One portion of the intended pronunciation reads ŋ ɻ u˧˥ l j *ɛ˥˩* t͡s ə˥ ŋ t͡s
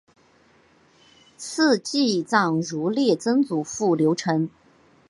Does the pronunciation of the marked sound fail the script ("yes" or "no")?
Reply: no